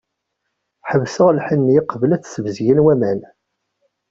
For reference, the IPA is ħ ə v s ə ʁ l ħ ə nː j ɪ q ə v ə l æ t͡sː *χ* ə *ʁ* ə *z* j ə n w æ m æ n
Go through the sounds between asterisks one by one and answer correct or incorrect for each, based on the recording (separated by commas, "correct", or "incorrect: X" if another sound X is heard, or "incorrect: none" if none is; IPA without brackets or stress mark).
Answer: incorrect: s, incorrect: v, correct